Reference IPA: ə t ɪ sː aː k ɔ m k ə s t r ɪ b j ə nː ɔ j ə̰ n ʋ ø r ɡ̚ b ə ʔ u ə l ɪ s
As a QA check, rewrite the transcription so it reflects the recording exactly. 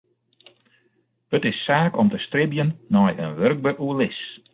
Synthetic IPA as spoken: ə t ɪ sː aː k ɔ m t ə s t r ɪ b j ə nː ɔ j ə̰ n ʋ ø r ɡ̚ b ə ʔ u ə l ɪ s